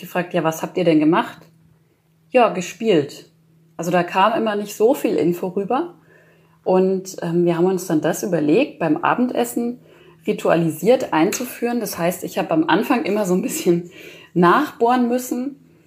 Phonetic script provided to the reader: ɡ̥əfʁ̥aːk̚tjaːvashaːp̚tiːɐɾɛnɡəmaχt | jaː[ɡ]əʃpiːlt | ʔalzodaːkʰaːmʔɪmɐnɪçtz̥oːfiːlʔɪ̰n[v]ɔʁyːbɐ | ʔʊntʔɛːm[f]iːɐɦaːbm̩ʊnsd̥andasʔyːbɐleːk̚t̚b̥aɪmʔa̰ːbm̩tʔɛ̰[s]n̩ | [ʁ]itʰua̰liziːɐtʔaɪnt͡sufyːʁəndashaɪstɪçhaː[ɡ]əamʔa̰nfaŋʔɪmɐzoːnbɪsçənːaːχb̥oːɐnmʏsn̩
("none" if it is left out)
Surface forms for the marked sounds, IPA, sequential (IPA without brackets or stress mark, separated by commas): ɡ, f, v, s, ʁ, b